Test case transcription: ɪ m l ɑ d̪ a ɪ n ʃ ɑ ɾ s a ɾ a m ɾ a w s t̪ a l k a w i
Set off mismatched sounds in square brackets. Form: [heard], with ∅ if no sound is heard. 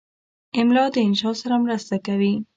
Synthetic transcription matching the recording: ɪ m l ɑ d̪ [ə] ɪ n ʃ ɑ [∅] s a ɾ a m ɾ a [∅] s t̪ a [∅] k a w i